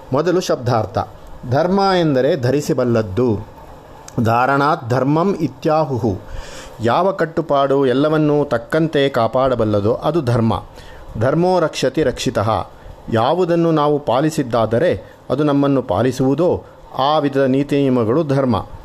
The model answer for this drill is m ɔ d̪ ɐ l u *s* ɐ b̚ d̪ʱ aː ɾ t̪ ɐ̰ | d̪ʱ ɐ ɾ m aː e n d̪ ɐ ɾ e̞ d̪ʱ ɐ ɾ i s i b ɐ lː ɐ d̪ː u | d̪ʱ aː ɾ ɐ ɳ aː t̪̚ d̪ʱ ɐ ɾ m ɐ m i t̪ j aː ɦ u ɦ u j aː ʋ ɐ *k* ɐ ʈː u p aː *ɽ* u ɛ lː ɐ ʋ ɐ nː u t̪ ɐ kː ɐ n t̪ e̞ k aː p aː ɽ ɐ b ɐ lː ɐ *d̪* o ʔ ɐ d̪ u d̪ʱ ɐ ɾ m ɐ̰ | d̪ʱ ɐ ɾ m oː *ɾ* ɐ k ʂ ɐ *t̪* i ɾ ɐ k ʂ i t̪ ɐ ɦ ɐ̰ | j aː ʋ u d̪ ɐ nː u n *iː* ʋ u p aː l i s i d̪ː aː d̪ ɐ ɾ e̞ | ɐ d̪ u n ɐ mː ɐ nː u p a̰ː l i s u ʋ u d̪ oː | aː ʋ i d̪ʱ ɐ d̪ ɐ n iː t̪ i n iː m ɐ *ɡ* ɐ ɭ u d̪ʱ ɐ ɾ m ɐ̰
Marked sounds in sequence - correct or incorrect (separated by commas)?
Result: incorrect, correct, correct, correct, correct, correct, incorrect, correct